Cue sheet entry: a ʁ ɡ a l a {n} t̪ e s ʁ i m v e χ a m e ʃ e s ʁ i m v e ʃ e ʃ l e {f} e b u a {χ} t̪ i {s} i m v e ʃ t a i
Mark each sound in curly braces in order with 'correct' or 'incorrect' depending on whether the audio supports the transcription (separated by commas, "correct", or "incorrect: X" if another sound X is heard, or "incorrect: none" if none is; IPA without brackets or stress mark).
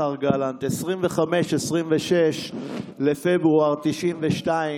correct, correct, incorrect: ʁ, incorrect: ʃ